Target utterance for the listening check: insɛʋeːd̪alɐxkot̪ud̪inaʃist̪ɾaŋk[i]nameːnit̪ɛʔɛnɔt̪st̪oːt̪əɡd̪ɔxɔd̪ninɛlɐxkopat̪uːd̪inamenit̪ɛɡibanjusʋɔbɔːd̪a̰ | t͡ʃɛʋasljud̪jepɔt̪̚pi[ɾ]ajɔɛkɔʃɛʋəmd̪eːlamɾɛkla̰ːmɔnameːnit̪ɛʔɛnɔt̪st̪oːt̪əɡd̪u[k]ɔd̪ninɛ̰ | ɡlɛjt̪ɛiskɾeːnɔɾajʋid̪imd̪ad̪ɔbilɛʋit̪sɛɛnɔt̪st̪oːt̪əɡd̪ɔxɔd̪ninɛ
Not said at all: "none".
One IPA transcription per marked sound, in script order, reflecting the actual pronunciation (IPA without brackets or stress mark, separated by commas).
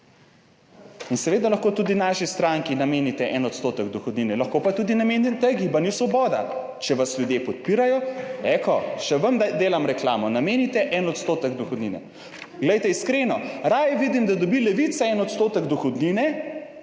i, ɾ, x